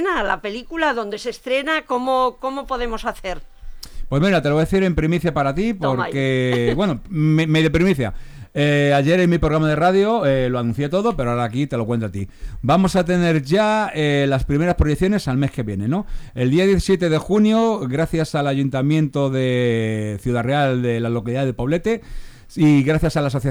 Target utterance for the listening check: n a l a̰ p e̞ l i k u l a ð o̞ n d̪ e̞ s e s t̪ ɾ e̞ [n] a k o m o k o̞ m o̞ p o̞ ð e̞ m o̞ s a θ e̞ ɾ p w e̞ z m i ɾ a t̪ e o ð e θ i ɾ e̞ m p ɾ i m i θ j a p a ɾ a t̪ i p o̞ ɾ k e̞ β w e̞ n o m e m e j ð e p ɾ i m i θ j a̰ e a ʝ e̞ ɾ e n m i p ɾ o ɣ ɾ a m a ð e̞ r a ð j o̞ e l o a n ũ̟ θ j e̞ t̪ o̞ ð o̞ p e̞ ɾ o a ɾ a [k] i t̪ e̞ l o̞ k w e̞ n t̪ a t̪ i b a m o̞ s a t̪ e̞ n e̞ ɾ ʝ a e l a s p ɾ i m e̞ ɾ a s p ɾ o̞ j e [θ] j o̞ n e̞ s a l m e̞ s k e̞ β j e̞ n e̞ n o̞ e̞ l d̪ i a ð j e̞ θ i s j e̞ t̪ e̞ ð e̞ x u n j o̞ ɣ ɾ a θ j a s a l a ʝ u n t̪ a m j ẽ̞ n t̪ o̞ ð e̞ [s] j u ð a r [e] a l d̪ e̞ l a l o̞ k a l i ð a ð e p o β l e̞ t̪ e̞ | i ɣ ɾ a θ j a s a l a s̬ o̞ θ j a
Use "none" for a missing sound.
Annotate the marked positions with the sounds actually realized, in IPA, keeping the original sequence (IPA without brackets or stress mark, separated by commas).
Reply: n, k, θ, θ, e